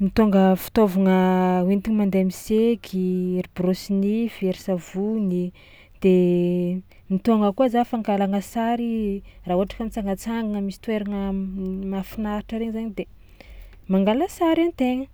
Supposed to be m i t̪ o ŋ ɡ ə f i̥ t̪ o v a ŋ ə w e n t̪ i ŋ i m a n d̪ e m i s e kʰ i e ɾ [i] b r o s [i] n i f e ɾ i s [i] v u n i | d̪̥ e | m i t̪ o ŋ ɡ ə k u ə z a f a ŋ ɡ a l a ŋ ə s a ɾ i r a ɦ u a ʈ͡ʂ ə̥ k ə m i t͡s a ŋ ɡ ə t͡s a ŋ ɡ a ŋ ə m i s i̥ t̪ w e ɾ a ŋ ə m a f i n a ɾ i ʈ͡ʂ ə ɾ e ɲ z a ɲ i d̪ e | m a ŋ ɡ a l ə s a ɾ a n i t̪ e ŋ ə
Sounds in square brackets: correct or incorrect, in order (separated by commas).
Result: correct, correct, incorrect